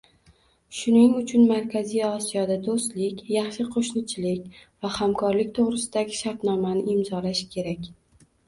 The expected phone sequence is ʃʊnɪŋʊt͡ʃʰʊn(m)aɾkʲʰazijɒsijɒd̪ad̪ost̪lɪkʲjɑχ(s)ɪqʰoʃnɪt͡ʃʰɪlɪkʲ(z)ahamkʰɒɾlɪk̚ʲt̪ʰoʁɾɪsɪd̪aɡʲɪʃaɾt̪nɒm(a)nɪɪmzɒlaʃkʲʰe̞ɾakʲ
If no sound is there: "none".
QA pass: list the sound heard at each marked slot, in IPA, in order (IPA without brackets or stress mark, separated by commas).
m, ʃ, v, a